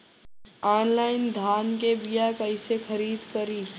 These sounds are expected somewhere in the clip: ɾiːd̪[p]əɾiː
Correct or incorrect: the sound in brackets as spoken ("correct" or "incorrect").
incorrect